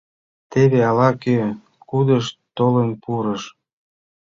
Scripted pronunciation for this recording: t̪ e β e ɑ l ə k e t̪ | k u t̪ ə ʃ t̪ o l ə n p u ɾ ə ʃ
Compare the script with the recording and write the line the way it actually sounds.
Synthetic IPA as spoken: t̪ e β e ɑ l ɑ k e | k u d̪ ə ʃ t̪ o l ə n p u ɾ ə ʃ